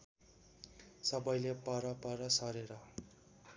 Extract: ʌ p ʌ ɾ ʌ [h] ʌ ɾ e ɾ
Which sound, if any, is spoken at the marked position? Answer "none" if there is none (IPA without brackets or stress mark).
s